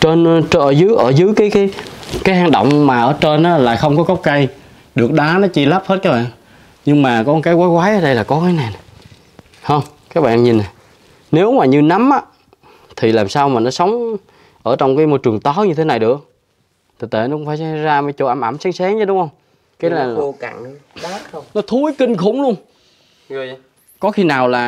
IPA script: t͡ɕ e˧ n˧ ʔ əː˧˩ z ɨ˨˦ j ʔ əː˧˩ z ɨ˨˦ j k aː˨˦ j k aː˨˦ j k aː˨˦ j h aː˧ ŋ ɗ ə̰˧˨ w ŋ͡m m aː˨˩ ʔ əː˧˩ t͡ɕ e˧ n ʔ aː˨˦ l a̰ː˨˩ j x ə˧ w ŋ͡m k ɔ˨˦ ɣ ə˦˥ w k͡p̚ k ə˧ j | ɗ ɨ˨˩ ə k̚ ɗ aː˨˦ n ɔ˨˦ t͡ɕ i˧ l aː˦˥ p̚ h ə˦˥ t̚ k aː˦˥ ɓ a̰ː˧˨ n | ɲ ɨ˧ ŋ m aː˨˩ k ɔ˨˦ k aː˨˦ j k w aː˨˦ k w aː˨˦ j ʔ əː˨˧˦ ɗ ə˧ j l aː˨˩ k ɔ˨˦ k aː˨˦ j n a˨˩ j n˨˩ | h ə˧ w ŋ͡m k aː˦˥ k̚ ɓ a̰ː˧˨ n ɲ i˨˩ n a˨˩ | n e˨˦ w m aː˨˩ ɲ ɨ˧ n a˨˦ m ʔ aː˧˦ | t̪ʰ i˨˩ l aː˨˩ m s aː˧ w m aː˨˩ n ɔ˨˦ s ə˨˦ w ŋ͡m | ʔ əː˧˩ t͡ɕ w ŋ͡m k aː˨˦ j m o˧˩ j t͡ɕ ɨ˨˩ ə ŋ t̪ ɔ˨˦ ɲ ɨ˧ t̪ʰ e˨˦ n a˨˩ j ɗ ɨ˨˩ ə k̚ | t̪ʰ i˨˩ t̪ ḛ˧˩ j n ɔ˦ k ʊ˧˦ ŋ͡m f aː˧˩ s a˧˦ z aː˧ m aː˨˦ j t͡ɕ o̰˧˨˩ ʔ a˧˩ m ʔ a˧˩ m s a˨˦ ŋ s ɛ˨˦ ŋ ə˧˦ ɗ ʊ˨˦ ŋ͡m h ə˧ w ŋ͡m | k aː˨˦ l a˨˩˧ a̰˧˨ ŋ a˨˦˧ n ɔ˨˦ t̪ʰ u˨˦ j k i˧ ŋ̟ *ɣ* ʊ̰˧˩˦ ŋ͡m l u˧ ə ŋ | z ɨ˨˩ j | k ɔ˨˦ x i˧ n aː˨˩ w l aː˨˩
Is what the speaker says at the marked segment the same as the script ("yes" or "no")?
no